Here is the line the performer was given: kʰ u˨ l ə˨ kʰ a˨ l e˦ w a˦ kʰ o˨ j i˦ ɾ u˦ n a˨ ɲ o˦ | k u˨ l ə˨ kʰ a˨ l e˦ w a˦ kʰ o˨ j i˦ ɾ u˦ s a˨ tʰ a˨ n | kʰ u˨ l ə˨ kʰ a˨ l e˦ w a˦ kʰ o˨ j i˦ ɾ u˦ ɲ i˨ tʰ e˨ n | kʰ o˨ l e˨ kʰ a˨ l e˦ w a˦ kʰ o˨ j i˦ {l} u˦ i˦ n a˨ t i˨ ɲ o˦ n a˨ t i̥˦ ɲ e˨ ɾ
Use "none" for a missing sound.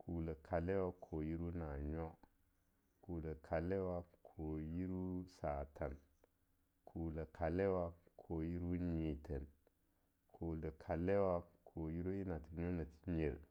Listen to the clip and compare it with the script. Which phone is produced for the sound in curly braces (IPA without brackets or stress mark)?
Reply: ɾ